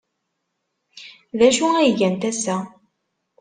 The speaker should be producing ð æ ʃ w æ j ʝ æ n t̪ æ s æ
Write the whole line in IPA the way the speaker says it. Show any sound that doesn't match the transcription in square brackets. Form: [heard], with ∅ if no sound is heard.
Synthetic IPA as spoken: ð æ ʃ [u] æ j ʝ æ n t̪ æ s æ